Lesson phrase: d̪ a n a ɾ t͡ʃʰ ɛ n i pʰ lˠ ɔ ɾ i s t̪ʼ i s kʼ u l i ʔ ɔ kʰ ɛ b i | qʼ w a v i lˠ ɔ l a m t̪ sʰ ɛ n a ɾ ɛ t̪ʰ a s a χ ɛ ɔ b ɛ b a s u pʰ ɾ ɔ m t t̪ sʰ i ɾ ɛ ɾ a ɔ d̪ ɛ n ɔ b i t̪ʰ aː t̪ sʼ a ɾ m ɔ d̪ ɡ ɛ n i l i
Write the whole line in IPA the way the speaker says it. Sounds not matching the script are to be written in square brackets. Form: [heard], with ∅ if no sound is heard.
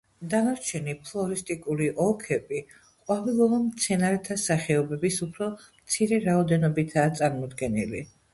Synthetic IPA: d̪ a n a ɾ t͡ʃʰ ɛ n i pʰ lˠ ɔ ɾ i s t̪ʼ i [∅] kʼ u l i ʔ ɔ kʰ ɛ b i | qʼ w a v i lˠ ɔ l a m t̪ sʰ ɛ n a ɾ ɛ t̪ʰ a s a χ ɛ ɔ b ɛ b [i] s u pʰ ɾ ɔ m t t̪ sʰ i ɾ ɛ ɾ a ɔ d̪ ɛ n ɔ b i t̪ʰ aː t̪ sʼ a ɾ m ɔ d̪ ɡ ɛ n i l i